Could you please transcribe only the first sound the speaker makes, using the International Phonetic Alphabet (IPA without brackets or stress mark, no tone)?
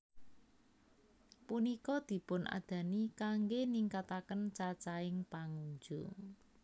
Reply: p